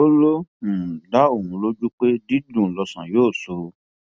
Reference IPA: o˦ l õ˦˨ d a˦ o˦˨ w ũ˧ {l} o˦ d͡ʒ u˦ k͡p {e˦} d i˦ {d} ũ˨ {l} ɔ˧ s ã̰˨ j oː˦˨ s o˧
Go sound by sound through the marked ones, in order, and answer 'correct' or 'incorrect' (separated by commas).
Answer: correct, correct, correct, correct